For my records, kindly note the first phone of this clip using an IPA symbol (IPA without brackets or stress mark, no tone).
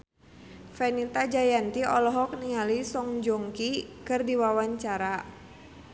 f